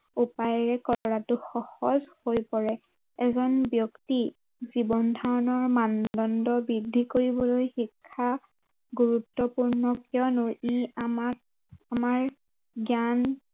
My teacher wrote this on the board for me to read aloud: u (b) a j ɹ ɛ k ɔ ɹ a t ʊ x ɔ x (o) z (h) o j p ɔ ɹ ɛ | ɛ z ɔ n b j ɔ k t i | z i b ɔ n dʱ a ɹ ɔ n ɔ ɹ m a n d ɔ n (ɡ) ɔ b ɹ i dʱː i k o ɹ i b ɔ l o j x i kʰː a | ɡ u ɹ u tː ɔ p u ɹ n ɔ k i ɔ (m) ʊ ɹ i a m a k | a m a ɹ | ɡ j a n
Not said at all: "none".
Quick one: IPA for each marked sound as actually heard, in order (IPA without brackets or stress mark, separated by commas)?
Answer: p, ɔ, h, d, n